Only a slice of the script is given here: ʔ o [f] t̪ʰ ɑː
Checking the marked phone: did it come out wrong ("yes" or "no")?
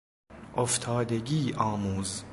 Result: no